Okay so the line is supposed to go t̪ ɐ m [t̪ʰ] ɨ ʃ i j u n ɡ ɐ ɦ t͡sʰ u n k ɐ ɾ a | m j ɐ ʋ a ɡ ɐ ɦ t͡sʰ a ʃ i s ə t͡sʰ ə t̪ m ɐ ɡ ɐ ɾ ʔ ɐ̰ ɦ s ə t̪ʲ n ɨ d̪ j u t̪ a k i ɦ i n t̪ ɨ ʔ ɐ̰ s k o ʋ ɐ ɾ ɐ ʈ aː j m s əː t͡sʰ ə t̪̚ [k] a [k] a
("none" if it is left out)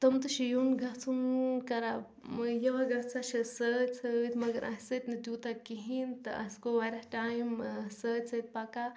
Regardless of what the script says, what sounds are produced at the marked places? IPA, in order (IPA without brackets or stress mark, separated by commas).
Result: t̪, p, k